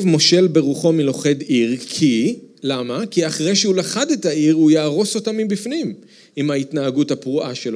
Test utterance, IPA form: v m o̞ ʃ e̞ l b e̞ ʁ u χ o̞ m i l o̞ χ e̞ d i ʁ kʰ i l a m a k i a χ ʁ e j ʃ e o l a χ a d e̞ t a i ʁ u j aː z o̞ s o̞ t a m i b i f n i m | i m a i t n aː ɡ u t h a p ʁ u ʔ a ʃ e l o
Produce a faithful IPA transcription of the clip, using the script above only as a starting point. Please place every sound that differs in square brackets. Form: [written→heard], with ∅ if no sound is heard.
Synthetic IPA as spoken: v m o̞ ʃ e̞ l b e̞ ʁ u χ o̞ m i l o̞ χ e̞ d i ʁ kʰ i l a m a k i a χ ʁ e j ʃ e [o→u] l a χ a d e̞ t a i ʁ u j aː [z→ʁ] o̞ s o̞ t a m i b i f n i m | i m a i t n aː ɡ u t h a p ʁ u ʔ a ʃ e l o